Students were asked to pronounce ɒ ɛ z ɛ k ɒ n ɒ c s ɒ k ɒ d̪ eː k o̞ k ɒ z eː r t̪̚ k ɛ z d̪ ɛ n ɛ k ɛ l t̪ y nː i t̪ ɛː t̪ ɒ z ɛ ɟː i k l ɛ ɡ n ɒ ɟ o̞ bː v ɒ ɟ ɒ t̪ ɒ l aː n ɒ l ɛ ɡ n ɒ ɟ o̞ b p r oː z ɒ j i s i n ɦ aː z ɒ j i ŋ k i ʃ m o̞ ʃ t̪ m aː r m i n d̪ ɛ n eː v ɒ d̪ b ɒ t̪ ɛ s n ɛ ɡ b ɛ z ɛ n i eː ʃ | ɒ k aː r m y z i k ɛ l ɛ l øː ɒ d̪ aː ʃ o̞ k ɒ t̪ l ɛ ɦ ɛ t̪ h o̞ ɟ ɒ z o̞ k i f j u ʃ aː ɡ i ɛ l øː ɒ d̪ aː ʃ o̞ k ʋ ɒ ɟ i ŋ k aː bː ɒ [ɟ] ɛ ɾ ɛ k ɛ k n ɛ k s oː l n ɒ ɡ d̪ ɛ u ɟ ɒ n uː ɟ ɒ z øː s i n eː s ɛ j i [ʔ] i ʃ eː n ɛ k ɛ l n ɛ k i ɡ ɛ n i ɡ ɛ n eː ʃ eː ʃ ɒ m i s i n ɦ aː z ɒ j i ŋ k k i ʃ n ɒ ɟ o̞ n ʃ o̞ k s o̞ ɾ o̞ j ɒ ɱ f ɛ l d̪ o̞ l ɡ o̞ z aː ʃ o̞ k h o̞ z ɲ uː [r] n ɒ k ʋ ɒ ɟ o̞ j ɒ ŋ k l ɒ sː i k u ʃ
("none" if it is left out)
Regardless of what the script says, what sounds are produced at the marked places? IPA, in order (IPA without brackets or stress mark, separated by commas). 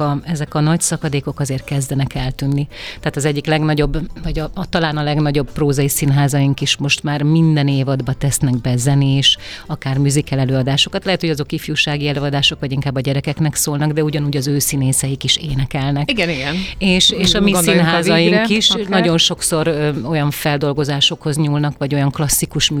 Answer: ɟ, k, l